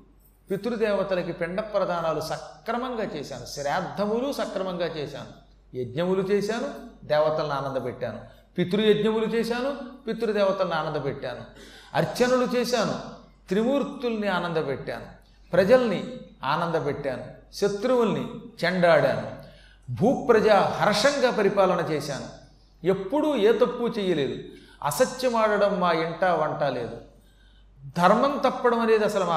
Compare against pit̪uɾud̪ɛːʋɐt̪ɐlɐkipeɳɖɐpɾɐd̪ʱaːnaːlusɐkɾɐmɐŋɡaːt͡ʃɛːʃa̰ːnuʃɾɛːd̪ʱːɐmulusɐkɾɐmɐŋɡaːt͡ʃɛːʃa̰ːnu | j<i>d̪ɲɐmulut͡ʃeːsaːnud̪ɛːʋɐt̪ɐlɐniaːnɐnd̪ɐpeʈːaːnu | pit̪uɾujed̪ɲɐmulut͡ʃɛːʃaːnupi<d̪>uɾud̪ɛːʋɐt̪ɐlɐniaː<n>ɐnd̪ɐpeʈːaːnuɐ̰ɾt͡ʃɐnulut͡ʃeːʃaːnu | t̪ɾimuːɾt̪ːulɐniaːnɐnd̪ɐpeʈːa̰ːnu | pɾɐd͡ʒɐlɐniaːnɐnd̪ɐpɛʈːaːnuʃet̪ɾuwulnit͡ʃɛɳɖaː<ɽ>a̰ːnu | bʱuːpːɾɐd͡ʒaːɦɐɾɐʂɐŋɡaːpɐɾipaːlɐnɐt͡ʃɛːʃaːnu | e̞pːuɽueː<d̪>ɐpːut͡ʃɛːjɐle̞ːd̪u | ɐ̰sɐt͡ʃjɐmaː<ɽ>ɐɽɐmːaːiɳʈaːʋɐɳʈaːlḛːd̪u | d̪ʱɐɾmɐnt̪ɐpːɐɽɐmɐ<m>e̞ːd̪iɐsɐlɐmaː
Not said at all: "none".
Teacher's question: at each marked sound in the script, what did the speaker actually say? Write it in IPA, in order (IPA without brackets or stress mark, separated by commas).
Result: e, t̪, n, ɽ, t̪, ɽ, n